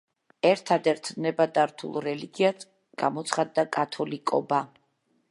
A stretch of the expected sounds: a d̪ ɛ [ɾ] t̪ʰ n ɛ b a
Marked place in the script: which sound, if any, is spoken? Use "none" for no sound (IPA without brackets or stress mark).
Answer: ɾ